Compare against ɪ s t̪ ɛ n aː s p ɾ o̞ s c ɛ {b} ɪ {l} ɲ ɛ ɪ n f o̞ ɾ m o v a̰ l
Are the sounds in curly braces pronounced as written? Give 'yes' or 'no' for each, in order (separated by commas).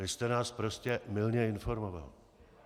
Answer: no, yes